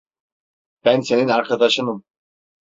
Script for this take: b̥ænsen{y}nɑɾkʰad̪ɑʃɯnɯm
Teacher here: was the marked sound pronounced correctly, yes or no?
no